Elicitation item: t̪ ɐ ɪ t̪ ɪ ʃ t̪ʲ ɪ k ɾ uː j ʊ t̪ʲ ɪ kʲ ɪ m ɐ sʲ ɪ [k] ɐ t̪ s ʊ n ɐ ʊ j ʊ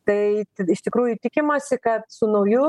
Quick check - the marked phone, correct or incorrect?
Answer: correct